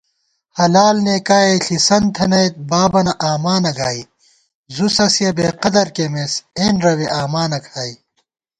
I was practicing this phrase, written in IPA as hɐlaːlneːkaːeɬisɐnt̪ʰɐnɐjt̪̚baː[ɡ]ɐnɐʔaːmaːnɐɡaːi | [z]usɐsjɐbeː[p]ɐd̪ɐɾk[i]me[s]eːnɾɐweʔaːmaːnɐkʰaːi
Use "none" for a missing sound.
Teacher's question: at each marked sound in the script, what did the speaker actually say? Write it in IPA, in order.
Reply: b, z, q, e, s

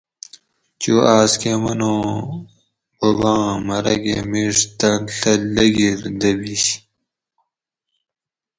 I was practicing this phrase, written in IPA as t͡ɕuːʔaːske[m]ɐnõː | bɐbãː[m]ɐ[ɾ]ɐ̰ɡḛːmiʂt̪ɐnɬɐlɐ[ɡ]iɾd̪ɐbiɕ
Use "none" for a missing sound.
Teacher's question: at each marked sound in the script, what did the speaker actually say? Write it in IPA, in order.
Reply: m, m, ɾ, ɡ

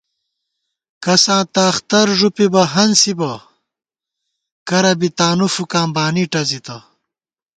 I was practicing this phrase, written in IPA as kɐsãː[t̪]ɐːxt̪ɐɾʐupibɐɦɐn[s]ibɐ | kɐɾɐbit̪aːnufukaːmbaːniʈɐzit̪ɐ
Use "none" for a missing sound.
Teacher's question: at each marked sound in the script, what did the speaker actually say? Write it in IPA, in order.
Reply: t̪, s

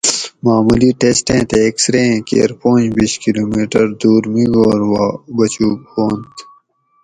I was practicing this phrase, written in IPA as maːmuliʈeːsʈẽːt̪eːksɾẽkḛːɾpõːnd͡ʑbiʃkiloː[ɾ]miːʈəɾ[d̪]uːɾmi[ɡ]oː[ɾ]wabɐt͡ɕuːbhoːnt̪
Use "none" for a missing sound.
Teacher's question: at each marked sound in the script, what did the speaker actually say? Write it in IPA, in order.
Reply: none, d̪, ɡ, ɾ

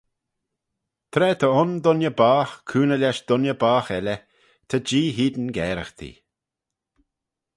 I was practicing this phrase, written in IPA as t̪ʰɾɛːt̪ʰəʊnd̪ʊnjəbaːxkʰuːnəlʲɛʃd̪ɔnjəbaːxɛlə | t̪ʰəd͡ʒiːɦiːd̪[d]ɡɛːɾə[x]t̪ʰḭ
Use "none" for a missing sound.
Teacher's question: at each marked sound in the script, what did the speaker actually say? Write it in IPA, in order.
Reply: n, x

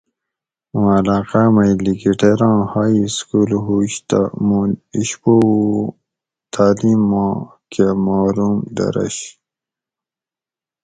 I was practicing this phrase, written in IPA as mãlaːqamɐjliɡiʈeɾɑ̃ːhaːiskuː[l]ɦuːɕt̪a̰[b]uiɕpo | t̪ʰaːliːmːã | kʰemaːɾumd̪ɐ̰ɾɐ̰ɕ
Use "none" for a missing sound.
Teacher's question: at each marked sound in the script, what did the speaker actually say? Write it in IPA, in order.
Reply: l, m

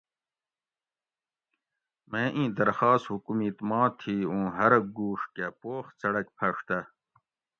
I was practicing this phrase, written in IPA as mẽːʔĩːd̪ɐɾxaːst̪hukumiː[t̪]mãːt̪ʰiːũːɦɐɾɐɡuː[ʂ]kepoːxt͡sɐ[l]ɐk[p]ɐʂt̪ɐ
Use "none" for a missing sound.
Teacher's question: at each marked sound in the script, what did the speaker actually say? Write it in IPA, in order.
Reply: t̪, ʂ, ɽ, pʰ

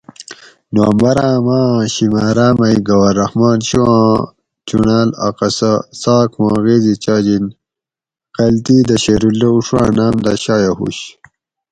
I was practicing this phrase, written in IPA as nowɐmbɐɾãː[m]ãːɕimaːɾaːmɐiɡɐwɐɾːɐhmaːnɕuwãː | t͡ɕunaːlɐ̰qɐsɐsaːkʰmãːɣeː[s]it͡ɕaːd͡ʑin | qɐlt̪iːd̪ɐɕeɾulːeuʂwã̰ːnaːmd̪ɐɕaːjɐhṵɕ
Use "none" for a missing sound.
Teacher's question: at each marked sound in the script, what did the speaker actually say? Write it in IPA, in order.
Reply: m, z

